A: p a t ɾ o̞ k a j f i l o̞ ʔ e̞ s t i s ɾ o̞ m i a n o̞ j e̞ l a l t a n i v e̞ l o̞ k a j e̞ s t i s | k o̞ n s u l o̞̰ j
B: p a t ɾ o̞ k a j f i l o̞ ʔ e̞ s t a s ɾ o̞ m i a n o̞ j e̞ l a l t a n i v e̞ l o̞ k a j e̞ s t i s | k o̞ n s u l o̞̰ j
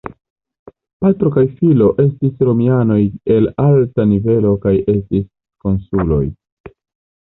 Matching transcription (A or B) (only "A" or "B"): A